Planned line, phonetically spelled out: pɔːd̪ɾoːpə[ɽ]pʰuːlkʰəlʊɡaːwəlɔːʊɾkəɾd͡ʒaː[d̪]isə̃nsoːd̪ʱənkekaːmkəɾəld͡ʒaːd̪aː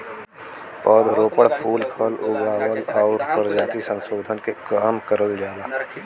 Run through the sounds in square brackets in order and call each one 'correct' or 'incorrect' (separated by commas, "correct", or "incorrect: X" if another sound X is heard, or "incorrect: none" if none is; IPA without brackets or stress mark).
correct, incorrect: t̪